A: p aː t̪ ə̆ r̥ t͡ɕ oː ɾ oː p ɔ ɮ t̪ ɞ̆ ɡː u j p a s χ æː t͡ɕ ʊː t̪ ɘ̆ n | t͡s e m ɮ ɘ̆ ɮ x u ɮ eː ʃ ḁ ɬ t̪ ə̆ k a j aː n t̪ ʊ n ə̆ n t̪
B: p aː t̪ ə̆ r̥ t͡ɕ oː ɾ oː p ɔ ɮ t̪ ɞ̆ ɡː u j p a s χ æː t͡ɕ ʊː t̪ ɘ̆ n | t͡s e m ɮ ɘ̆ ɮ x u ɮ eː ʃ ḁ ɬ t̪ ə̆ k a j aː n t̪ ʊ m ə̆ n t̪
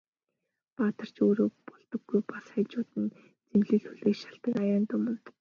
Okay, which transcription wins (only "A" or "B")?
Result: B